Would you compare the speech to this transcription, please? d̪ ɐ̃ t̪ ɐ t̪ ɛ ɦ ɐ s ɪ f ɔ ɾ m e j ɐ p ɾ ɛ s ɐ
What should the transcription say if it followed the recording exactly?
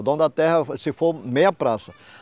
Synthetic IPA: d̪ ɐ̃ d̪ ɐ t̪ ɛ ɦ ɐ s ɪ f o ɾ m e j ɐ p ɾ a s ɐ